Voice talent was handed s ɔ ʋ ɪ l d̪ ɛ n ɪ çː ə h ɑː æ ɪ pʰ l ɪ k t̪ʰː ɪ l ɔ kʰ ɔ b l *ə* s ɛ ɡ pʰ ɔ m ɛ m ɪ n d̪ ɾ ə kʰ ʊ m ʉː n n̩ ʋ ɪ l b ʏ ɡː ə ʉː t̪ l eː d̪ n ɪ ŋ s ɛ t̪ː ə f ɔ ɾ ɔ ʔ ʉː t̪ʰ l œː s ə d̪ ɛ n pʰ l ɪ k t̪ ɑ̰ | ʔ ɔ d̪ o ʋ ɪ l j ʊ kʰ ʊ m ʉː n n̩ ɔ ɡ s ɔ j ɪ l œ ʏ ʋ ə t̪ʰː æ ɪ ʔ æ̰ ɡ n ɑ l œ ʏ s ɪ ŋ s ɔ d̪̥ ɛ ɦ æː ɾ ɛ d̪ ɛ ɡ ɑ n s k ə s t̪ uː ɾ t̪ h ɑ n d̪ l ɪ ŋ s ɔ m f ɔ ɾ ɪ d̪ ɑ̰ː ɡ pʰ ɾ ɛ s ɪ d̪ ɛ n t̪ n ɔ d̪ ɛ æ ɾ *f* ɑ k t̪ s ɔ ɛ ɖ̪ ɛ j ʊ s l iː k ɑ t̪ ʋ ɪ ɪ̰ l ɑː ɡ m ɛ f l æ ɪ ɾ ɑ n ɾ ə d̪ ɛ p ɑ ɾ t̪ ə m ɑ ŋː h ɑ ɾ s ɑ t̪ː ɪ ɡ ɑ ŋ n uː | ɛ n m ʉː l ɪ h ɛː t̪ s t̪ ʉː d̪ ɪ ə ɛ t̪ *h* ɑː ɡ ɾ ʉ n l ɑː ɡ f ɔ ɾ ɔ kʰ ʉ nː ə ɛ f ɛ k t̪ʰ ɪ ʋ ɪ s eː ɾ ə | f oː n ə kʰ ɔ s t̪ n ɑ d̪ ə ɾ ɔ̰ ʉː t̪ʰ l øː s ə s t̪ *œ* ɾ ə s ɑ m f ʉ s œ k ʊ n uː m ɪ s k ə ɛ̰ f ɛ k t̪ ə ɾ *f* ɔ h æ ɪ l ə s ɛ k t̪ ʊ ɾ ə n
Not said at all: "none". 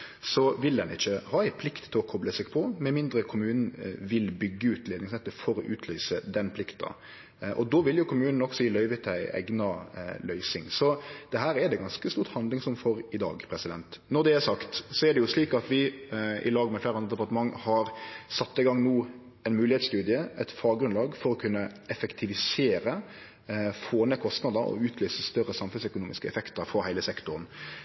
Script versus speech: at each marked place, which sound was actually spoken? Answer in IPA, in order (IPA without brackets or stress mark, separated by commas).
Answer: ə, s, f, œ, f